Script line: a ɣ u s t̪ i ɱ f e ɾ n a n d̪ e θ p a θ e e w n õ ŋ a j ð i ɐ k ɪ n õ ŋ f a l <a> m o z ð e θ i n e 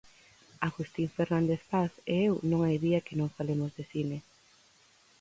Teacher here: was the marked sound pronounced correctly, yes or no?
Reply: no